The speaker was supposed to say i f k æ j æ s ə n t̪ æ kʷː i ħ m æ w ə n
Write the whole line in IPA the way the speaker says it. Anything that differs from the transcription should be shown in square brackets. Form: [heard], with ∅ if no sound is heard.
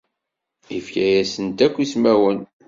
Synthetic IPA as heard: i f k æ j æ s ə n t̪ æ kʷː i [s] m æ w ə n